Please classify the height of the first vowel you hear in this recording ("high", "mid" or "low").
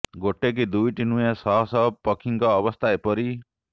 mid